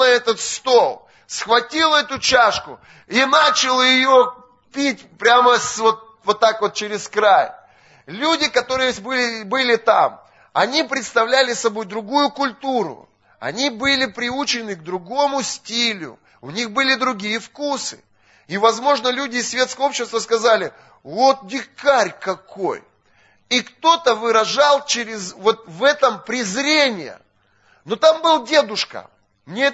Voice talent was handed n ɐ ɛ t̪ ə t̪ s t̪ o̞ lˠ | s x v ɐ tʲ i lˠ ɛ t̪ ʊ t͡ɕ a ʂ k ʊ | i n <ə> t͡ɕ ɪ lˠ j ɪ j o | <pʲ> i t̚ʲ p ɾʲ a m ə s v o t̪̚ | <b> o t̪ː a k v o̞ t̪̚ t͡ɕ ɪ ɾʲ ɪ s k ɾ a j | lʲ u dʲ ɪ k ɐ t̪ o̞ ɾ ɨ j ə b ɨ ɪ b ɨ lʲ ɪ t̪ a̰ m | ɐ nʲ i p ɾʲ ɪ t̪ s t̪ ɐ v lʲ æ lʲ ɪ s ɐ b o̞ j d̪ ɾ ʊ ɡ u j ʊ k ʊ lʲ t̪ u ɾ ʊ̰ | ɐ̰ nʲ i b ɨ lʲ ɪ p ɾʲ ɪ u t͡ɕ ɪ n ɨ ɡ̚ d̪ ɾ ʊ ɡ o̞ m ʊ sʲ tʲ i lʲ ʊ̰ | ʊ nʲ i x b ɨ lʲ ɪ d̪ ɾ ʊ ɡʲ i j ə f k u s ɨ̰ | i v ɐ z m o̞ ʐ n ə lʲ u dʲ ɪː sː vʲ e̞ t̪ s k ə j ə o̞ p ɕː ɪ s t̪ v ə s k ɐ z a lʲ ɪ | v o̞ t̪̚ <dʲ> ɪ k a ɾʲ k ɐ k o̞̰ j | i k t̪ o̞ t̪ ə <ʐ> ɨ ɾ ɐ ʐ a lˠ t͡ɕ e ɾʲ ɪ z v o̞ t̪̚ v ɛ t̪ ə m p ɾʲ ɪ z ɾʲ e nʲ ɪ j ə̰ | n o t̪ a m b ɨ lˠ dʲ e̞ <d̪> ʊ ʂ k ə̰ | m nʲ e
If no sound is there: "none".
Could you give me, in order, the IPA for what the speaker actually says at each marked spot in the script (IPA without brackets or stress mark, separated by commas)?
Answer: a, pʲ, v, dʲ, v, d̪